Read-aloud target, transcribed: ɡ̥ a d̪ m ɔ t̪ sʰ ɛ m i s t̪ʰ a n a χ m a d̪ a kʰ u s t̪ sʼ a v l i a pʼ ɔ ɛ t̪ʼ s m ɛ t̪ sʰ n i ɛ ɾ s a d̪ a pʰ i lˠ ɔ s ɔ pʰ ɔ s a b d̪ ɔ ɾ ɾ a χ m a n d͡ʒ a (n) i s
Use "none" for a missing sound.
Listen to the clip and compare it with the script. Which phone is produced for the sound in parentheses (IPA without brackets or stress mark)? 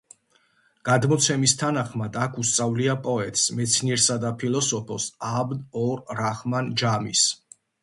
m